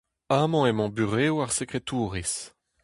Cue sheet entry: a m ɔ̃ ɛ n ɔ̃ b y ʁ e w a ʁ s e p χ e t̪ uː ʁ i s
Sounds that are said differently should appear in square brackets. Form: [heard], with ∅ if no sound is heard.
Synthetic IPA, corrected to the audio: a m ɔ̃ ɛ [m] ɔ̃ b y ʁ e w a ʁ s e [k] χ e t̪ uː ʁ i s